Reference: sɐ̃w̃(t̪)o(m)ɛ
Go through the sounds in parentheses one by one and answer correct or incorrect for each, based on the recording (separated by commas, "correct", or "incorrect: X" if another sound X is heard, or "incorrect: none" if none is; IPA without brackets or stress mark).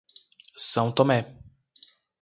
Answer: correct, correct